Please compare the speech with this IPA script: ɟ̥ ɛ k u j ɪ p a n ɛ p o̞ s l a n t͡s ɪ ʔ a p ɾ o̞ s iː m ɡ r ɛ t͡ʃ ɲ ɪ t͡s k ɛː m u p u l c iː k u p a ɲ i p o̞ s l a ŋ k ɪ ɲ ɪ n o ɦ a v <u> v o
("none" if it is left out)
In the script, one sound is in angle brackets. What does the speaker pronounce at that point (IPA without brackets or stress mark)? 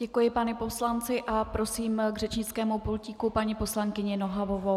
o